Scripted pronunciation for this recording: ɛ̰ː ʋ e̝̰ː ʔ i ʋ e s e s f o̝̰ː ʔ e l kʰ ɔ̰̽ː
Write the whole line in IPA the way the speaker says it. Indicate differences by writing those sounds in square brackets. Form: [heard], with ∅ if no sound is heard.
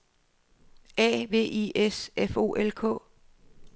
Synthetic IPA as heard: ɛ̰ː ʋ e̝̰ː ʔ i [∅] e s e [∅] f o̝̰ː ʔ e l kʰ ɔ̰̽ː